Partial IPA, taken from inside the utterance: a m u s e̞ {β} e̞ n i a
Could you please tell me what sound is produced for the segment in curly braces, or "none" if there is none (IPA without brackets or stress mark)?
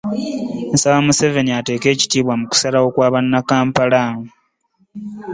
v